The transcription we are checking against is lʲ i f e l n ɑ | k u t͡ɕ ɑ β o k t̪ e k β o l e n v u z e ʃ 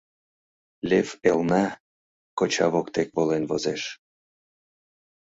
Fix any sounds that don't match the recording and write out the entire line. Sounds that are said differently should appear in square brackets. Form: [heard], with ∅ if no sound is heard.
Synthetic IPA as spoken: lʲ [e] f e l n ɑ | k [o] t͡ɕ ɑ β o k t̪ e k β o l e n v [o] z e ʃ